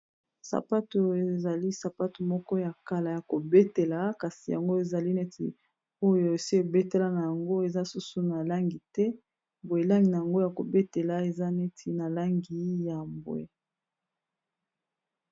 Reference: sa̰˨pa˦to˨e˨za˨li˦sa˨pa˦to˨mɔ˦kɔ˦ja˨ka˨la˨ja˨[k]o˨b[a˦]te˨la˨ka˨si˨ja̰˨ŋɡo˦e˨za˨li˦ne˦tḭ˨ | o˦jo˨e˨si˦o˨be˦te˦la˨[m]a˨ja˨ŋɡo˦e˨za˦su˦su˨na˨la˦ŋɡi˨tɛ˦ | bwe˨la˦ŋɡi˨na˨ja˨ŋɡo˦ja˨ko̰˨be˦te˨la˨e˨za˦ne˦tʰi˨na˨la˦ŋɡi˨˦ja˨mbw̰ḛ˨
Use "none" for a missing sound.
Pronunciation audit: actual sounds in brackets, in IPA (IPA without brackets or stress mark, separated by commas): k, e˦, n